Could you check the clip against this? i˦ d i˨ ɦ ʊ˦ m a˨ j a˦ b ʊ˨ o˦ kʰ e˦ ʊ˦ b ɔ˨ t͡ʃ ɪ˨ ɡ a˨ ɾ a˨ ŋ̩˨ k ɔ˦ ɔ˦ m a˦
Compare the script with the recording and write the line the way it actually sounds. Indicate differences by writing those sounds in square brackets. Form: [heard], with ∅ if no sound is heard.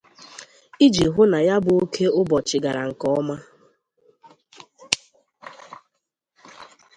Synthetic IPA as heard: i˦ [d͡ʒ] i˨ ɦ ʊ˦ [n] a˨ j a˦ b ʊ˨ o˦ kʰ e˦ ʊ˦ b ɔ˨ t͡ʃ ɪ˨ ɡ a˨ ɾ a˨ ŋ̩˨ k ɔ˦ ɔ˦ m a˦